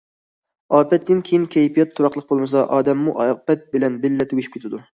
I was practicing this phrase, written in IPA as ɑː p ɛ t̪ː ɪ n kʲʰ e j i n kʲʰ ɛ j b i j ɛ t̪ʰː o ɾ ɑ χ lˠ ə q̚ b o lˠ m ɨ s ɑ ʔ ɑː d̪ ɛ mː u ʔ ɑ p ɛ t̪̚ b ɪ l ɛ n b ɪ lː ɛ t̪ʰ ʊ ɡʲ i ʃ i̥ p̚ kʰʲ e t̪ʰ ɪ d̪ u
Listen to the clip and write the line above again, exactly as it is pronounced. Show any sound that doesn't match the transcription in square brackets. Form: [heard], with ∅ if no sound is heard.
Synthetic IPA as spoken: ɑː p ɛ t̪ː ɪ n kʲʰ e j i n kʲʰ ɛ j [p] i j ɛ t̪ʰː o ɾ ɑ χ lˠ ə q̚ b o lˠ m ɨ s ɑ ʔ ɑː d̪ ɛ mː u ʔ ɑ p ɛ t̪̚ b ɪ l ɛ n b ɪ lː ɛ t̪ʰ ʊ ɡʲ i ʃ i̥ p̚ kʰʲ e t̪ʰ ɪ d̪ u